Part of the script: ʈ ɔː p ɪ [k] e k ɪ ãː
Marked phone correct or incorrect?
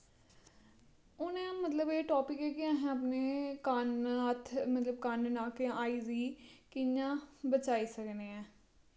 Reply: correct